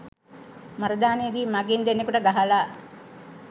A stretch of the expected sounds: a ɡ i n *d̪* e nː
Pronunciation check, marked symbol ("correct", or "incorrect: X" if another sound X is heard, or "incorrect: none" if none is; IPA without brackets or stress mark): correct